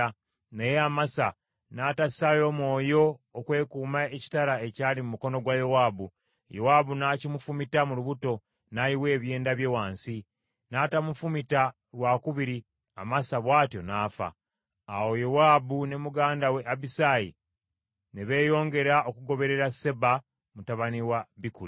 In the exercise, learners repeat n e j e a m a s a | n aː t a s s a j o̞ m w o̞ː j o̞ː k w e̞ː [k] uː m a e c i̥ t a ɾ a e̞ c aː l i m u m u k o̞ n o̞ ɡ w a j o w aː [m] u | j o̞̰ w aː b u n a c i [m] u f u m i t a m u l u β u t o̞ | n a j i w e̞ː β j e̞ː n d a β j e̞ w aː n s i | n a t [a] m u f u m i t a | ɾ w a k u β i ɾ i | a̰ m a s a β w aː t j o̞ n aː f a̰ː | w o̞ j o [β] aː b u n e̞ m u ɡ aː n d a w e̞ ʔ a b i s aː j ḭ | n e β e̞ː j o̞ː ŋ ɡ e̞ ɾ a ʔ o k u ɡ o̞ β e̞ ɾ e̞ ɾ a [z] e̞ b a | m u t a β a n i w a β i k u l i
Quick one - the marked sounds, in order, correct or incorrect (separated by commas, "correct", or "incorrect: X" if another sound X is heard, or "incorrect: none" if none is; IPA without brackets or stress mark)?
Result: correct, incorrect: b, correct, correct, incorrect: w, incorrect: s